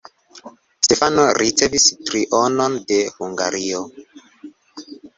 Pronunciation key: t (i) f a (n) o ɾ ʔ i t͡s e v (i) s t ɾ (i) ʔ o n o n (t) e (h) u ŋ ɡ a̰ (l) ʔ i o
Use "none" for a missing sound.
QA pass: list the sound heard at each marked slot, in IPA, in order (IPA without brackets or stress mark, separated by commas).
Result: e, n, i, i, d, h, ɾ